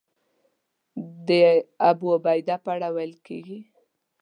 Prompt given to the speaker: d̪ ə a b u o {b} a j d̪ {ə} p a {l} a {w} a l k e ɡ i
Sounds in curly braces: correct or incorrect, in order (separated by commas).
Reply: correct, incorrect, incorrect, correct